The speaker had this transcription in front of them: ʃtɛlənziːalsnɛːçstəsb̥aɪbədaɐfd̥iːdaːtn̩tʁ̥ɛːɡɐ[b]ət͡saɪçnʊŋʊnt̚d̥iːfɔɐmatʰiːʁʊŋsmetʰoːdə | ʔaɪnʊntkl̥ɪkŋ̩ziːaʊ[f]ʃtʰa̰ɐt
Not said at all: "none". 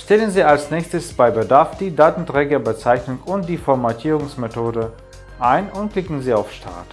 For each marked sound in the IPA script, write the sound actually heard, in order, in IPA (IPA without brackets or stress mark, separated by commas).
b, f